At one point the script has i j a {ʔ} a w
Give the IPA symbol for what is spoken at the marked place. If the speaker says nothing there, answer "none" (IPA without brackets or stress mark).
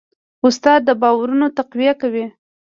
k